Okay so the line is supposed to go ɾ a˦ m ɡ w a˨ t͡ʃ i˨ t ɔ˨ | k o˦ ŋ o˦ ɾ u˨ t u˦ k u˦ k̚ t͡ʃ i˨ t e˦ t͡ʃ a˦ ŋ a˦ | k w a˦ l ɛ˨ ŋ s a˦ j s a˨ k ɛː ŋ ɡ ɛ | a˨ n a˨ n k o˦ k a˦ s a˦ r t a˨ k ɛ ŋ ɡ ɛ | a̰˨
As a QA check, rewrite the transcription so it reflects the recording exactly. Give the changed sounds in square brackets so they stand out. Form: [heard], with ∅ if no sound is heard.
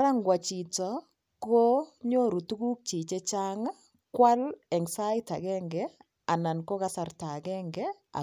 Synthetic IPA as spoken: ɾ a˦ [ŋ] ɡ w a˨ t͡ʃ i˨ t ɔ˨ | k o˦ [ɲ] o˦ ɾ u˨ t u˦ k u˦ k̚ t͡ʃ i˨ [t͡ʃ] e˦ t͡ʃ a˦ ŋ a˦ | k w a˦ l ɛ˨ ŋ s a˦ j [t] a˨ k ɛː ŋ ɡ ɛ | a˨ n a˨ n k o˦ k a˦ s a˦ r t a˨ k ɛ ŋ ɡ ɛ | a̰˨